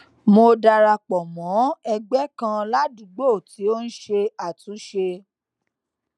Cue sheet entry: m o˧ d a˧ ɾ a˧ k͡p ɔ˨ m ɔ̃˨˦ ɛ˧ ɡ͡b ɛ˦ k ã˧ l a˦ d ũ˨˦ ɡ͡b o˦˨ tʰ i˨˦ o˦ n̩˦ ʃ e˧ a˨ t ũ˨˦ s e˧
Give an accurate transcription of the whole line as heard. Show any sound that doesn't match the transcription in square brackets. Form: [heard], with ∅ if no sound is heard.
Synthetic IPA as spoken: m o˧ d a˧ ɾ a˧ k͡p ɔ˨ m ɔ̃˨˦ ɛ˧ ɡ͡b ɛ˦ k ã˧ l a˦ d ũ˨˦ ɡ͡b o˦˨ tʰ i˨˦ o˦ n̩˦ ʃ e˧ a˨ t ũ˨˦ [ʃ] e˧